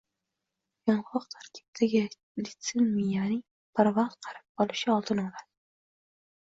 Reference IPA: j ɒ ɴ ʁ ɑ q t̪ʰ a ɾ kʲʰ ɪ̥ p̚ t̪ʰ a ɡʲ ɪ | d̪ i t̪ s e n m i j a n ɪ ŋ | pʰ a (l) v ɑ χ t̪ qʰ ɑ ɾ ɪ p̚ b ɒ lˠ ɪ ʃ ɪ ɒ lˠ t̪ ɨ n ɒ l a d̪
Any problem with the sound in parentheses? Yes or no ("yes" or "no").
yes